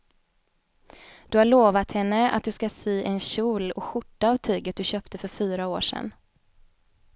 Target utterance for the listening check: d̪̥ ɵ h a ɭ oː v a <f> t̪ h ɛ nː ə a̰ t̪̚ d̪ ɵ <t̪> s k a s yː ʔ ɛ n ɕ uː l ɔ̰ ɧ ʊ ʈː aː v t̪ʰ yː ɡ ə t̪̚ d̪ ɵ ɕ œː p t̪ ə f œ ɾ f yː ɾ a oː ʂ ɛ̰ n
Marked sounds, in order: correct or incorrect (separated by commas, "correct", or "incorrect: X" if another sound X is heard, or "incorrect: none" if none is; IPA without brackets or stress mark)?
incorrect: none, incorrect: none